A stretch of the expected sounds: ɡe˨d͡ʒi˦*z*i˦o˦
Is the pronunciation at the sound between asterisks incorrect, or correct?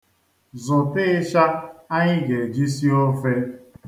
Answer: incorrect